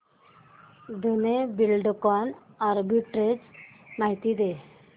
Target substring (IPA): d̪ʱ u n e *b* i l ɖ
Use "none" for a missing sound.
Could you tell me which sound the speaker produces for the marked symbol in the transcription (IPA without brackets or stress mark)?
b